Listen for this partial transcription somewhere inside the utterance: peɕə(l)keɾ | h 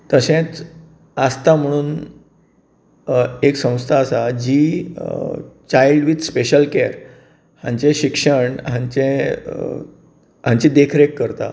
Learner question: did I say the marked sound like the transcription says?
yes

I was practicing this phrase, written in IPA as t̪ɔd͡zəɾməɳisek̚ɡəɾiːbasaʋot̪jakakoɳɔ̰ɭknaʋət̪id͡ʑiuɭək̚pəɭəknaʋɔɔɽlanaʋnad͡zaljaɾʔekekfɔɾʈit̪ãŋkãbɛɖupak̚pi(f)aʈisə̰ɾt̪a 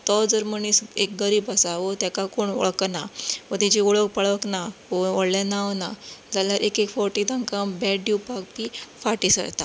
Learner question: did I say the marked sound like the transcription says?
yes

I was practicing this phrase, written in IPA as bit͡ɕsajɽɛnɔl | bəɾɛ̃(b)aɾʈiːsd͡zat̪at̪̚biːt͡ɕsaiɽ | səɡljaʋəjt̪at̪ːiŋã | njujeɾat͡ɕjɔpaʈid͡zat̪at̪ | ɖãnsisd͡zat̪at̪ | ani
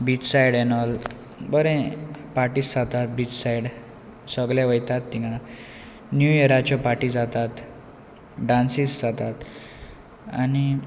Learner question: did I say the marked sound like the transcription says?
no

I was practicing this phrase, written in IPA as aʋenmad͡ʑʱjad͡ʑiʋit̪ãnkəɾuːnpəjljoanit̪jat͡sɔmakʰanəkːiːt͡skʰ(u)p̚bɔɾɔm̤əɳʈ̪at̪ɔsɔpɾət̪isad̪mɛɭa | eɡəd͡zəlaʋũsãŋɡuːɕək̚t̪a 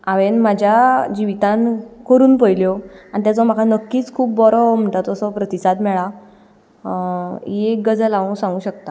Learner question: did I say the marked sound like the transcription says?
no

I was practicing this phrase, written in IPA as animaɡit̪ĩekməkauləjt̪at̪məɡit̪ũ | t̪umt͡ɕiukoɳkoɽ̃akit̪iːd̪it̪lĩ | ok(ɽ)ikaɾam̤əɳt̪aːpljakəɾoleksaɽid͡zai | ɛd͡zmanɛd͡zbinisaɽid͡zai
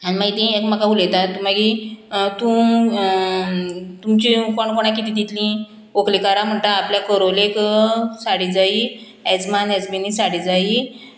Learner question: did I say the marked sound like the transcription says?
no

